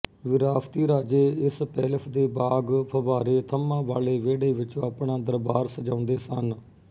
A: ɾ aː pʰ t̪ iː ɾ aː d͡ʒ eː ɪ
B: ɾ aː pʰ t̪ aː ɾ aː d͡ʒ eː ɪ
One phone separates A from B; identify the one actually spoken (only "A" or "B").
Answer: A